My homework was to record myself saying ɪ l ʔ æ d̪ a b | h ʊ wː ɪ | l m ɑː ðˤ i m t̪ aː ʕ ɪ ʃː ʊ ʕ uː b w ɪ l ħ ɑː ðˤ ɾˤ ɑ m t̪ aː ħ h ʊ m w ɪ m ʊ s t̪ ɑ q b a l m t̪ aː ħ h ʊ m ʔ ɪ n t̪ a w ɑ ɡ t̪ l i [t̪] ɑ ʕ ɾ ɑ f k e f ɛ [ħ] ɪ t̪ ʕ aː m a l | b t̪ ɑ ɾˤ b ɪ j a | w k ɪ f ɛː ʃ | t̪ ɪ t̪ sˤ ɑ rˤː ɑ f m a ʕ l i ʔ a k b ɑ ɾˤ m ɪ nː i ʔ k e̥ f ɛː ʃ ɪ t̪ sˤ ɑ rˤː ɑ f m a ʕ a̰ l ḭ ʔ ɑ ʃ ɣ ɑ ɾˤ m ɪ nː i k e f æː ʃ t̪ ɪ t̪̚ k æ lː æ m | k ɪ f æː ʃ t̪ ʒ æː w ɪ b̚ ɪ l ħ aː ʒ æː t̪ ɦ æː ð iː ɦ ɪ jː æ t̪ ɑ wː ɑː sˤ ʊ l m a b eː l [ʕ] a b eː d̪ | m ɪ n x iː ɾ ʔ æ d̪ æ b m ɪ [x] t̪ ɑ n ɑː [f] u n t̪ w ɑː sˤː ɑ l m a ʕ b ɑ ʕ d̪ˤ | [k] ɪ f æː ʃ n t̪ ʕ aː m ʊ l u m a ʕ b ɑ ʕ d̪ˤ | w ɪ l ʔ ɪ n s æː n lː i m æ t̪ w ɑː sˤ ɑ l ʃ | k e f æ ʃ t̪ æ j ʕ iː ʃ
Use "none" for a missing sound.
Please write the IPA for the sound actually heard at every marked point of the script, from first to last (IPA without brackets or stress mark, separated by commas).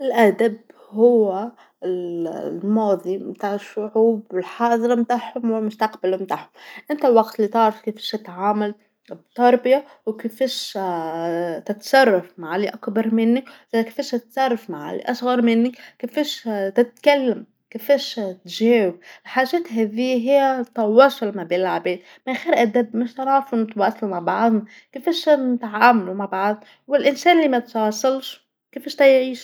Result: t̪, ʃ, ʕ, ʃ, f, k